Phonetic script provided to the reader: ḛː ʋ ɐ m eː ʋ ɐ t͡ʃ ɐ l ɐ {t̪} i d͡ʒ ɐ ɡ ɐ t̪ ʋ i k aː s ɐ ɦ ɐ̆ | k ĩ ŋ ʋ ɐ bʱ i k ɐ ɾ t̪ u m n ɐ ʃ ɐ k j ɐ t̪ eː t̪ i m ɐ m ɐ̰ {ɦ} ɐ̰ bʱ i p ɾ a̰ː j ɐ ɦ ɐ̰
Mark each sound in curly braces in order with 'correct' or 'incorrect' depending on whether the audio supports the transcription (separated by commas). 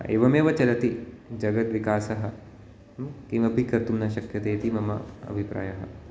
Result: correct, incorrect